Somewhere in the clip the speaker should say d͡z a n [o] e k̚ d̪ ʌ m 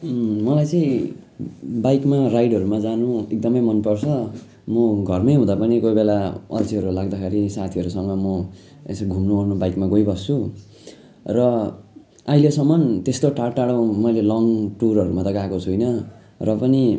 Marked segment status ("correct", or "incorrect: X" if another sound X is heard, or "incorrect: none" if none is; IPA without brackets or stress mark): incorrect: u